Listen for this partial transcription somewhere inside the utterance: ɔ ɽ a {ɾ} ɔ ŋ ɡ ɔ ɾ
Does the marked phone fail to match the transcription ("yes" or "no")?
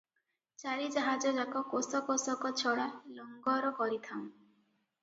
yes